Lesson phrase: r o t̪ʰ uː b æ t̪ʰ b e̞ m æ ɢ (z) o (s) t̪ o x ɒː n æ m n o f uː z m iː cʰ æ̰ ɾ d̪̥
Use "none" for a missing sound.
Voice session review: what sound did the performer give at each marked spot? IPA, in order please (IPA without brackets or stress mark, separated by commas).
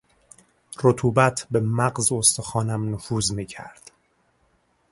z, s